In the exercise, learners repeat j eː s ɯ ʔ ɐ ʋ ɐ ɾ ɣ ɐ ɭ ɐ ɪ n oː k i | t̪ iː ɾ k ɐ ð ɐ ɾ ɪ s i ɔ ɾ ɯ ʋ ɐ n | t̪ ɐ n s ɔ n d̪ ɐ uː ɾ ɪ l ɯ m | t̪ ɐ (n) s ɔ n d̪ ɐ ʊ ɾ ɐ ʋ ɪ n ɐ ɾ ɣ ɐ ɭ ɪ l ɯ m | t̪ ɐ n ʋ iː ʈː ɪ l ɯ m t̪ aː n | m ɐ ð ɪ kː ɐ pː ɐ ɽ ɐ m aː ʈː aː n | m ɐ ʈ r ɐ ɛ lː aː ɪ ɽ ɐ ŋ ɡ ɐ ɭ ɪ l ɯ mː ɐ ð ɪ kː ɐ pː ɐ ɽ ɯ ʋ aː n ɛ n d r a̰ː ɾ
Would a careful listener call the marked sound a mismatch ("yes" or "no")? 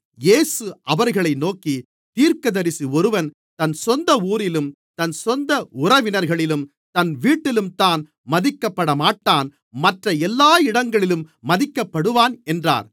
no